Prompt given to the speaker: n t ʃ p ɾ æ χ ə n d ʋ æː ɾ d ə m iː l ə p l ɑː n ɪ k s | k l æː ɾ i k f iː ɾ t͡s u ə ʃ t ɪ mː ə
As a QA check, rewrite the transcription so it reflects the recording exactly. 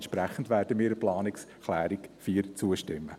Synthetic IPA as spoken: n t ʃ p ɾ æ χ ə n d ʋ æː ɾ d ə m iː ɾ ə p l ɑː n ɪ k s | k l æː ɾ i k f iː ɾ t͡s u ə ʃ t ɪ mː ə